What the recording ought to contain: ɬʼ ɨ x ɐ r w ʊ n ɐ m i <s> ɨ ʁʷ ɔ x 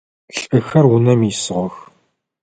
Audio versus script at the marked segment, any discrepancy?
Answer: no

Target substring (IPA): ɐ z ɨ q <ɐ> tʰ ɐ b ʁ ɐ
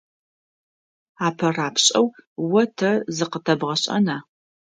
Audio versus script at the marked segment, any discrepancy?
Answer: yes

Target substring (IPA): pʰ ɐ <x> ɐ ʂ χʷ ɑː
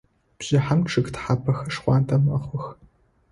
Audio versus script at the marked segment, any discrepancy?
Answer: no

